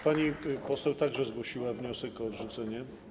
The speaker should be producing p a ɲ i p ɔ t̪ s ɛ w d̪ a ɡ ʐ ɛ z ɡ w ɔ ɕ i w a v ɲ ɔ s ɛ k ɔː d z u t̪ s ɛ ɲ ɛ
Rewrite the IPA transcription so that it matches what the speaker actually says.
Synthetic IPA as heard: p a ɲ i p ɔ s ɛ w t̪ a ɡ ʐ ɛ z ɡ w ɔ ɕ i w a v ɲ ɔ s ɛ k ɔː d ʐ u t̪ s ɛ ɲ ɛ